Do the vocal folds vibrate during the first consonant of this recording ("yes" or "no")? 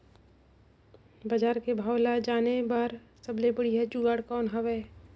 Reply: yes